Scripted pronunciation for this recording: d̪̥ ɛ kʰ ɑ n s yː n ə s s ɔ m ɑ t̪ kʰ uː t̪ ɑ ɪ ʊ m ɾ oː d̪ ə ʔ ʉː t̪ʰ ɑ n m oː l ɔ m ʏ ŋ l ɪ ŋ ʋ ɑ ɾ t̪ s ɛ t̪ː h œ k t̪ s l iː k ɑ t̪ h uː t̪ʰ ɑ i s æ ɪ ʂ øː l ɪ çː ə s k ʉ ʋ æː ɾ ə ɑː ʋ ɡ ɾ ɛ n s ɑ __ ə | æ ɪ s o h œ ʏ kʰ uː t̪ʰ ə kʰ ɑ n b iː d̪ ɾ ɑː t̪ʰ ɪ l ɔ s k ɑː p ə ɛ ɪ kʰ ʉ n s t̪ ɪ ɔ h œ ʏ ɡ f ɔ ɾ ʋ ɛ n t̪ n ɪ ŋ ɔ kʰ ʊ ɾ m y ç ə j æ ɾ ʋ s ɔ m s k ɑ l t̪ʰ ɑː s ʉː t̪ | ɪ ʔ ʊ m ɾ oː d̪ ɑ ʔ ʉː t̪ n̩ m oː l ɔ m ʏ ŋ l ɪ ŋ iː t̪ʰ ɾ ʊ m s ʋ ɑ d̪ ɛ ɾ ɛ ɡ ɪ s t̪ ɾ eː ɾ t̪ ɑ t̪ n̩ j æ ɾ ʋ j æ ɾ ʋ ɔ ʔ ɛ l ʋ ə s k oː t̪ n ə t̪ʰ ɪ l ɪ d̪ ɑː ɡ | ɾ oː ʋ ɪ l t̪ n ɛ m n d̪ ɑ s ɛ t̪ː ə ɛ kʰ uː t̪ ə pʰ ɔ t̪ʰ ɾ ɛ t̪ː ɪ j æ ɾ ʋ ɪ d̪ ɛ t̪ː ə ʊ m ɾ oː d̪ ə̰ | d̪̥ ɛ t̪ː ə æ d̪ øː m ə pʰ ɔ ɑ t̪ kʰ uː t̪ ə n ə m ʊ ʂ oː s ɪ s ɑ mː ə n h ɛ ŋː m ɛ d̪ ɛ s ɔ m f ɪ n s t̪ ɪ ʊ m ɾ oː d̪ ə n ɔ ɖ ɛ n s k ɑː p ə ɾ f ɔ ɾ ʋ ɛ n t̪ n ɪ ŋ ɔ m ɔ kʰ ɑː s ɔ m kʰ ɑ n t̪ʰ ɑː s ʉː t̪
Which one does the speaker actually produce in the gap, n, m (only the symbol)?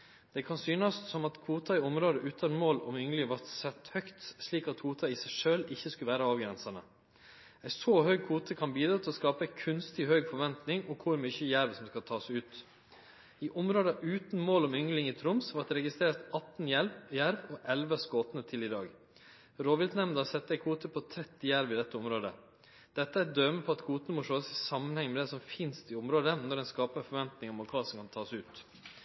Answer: n